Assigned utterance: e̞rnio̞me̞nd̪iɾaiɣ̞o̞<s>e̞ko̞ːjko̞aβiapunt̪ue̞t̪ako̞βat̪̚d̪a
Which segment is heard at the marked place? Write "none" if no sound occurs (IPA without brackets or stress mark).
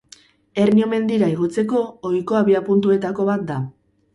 t͡s